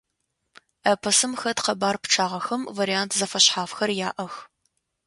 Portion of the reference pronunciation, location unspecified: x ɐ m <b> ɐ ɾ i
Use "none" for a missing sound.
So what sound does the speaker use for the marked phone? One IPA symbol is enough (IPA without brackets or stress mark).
v